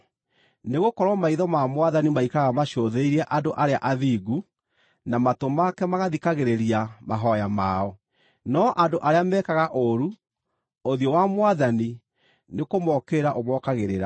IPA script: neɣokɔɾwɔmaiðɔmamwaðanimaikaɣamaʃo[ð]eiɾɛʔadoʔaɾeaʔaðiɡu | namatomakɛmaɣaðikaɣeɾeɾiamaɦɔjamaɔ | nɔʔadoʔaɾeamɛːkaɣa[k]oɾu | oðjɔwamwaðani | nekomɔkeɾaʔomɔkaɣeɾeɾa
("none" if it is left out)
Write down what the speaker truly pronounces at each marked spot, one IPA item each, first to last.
ð, ʔ

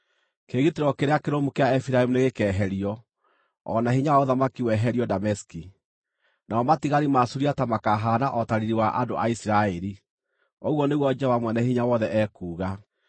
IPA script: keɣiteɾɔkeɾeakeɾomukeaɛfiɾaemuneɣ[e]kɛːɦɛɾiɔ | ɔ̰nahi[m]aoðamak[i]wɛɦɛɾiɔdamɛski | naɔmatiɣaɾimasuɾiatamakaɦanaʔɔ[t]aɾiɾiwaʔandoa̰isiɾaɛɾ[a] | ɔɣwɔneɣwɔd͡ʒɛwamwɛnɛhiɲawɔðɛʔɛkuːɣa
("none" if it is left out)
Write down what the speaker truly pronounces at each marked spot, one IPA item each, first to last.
e, ɲ, i, t, i

